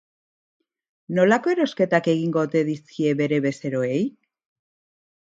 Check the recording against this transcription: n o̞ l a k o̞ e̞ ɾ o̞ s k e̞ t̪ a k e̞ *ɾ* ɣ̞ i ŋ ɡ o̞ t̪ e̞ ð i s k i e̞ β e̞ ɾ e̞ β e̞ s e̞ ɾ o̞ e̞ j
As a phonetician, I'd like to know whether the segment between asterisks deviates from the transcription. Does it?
yes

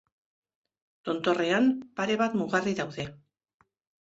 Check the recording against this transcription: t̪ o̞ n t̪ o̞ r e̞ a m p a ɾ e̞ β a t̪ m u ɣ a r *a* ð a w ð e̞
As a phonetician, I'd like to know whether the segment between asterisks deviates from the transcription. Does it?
yes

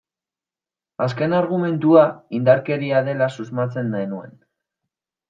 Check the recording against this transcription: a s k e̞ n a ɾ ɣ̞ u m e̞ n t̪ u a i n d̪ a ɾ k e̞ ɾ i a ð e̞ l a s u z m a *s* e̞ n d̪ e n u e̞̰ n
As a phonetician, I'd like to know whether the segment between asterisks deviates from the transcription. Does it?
yes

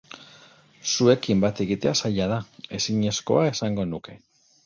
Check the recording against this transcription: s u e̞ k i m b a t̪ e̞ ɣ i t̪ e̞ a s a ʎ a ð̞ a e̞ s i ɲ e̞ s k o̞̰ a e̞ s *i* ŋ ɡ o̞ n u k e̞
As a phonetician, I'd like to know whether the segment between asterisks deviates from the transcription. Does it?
yes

